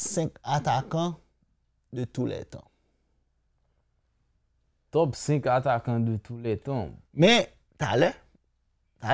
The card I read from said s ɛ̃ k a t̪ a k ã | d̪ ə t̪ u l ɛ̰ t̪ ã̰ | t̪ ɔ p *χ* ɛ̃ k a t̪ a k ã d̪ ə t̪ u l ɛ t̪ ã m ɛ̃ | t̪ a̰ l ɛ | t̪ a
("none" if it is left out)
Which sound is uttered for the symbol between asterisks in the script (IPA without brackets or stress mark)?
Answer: s